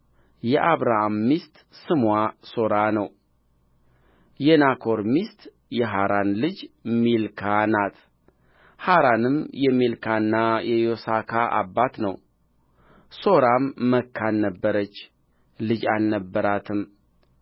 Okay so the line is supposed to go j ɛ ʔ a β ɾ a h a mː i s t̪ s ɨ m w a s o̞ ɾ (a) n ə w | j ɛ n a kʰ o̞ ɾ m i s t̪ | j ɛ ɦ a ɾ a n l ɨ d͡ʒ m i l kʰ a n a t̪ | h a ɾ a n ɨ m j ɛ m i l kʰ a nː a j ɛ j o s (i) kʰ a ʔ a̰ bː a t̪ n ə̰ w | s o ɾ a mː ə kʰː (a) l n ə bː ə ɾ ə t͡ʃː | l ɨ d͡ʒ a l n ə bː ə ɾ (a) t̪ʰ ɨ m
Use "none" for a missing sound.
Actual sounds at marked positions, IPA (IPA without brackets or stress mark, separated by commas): a, a, a, a